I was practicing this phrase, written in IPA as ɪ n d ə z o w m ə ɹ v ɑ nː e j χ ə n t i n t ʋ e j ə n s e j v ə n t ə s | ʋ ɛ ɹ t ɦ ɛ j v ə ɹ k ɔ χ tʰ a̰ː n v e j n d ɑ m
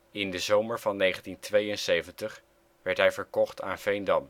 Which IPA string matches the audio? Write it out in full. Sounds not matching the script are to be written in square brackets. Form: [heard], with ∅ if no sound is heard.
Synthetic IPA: ɪ n d ə z o w m ə ɹ v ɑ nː e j χ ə n t i n t ʋ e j ə n s e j v ə n t ə [χ] | ʋ ɛ ɹ t ɦ ɛ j v ə ɹ k ɔ χ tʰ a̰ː n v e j n d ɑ m

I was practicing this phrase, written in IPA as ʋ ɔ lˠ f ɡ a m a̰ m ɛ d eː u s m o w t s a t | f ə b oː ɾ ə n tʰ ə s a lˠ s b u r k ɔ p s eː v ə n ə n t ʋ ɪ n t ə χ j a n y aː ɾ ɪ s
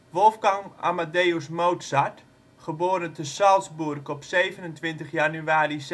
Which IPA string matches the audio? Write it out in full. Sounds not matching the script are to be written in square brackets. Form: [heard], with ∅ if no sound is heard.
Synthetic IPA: ʋ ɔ lˠ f ɡ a [ŋ] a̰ m [a] d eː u s m o w t s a t | [χ] ə b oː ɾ ə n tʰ ə s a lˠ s b u r k ɔ p s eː v ə n ə n t ʋ ɪ n t ə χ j a n y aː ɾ [i] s

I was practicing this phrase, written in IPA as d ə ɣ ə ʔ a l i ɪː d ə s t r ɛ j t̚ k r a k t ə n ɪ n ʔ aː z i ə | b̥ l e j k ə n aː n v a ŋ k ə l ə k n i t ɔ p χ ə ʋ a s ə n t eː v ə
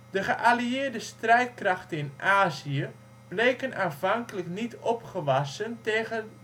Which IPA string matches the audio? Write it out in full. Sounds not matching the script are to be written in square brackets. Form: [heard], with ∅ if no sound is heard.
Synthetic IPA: d ə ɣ ə ʔ a l i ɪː d ə s t r ɛ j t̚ k r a [x] t ə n ɪ n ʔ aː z i ə | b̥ l e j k ə n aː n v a ŋ k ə l ə k n i t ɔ p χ ə ʋ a s ə n t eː [ɣ] ə

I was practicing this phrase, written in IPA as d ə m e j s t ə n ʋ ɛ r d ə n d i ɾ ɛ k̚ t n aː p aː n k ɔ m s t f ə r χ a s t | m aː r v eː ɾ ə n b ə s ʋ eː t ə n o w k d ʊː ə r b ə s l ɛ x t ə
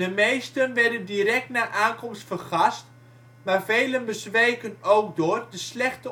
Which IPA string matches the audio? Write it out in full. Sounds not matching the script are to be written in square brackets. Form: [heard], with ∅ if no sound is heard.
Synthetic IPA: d ə m e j s t ə n ʋ ɛ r d ə n d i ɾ ɛ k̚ t n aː [ʔ] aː n k ɔ m s t f ə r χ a s t | m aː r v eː [l] ə n b ə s ʋ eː [k] ə n o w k d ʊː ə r [d] ə s l ɛ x t ə

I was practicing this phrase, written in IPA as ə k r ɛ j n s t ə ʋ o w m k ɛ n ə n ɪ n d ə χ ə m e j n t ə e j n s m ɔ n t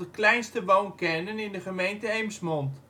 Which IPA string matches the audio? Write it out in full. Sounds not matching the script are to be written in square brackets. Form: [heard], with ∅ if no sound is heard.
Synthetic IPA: ə k [l] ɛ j n s t ə ʋ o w [n] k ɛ n ə n ɪ n d ə χ ə m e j n t ə e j [m] s m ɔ n t

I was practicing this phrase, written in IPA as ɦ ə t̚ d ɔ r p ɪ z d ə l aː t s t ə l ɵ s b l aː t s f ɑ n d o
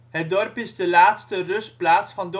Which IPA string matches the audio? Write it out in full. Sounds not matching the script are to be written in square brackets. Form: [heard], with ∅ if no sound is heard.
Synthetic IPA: ɦ ə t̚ d ɔ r p ɪ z d ə l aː t s t ə [r] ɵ s [p] l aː t s f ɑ n d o

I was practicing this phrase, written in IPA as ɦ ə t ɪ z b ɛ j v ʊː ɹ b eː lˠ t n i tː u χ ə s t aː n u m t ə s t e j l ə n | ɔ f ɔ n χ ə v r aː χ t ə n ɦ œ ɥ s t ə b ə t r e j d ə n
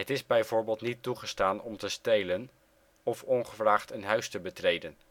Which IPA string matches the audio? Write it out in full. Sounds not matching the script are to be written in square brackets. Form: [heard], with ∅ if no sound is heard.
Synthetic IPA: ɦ ə t ɪ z b ɛ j v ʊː ɹ b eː lˠ t n i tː u χ ə s t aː n [ɔ] m t ə s t e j l ə n | ɔ f ɔ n χ ə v r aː χ t ə n ɦ œ ɥ s t ə b ə t r e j d ə n

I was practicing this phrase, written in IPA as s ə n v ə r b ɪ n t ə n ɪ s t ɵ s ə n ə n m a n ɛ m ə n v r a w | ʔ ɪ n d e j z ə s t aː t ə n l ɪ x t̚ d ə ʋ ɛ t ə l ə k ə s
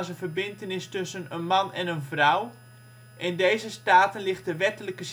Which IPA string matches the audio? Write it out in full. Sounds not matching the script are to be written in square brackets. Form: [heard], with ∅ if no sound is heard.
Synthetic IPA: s ə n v ə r b ɪ n t ə n ɪ s t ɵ s ə n ə n m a n ɛ [n] ə n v r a w | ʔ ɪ n d e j z ə s t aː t ə n l ɪ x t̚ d ə ʋ ɛ t ə l ə k ə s

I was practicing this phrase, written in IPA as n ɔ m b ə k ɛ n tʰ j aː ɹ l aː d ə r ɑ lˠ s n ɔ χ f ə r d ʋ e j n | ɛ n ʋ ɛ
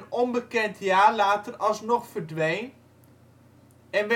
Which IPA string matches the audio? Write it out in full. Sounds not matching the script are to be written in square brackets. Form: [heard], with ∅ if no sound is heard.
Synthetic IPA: n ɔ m b ə k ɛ n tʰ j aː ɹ l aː [t] ə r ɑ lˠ s n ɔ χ f ə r d ʋ e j n | ɛ n ʋ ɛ

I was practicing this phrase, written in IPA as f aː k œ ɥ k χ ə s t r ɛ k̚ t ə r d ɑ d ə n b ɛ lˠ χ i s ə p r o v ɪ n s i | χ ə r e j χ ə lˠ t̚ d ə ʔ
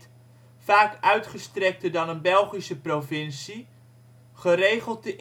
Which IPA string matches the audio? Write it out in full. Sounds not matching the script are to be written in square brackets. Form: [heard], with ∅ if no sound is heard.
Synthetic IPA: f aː k œ ɥ [t] χ ə s t r ɛ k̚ t ə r d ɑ [n] ə n b ɛ lˠ χ i s ə p r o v ɪ n s i | χ ə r e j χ ə lˠ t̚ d ə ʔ

